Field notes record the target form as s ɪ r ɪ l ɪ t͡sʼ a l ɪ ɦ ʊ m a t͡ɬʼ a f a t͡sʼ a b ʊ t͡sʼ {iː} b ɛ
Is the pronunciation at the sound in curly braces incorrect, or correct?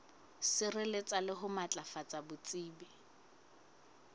correct